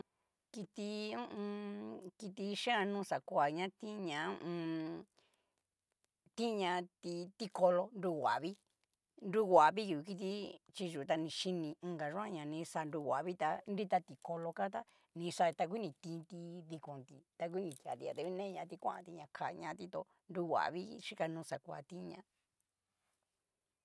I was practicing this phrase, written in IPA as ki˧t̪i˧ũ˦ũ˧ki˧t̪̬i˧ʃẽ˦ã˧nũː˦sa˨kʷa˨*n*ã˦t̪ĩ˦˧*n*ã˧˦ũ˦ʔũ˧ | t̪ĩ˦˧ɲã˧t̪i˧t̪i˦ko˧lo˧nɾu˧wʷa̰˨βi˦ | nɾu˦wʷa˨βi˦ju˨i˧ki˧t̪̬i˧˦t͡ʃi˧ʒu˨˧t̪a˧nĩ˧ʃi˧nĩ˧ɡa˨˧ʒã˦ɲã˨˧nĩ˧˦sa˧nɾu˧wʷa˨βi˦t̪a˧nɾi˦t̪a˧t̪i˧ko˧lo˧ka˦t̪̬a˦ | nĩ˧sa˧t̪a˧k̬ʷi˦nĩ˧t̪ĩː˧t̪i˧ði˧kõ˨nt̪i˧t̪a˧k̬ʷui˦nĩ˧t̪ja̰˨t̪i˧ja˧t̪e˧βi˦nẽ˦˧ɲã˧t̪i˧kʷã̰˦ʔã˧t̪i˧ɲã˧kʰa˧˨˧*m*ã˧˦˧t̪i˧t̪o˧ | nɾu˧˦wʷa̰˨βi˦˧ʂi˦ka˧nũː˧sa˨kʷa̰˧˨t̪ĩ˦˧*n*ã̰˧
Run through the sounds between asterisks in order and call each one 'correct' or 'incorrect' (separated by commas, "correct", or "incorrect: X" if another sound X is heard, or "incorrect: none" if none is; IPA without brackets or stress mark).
incorrect: ɲ, incorrect: ɲ, incorrect: ɲ, incorrect: ɲ